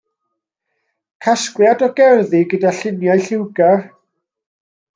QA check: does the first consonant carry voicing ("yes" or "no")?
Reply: no